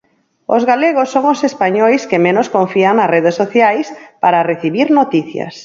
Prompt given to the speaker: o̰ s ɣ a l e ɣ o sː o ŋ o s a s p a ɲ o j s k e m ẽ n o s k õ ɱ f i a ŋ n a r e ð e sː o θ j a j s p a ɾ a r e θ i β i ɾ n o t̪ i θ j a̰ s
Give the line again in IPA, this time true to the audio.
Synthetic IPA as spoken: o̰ z ɣ a l e ɣ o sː o ŋ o s e s p a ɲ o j s k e m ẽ n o s k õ ɱ f i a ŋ n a r e ð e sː o θ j a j s p a ɾ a r e θ i β i ɾ n o t̪ i θ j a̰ s